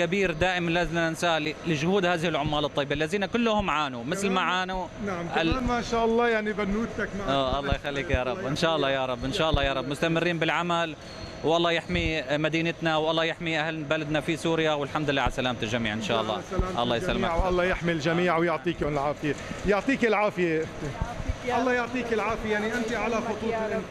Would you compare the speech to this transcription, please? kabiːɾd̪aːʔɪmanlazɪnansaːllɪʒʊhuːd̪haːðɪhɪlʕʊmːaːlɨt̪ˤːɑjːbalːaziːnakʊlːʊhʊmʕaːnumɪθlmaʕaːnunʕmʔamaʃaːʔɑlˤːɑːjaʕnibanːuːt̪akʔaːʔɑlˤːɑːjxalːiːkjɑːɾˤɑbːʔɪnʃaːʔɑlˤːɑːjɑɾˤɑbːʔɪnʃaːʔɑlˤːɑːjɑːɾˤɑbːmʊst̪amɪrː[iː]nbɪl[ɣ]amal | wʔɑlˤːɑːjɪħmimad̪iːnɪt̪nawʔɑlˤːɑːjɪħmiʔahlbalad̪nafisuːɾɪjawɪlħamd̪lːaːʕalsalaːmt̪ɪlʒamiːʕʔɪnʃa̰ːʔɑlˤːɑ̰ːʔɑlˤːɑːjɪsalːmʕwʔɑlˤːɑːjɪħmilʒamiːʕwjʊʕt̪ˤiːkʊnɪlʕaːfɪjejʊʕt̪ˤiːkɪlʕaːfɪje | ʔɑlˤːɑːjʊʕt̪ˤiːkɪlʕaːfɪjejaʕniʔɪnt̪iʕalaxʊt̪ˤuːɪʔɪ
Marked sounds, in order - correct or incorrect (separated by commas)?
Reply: correct, incorrect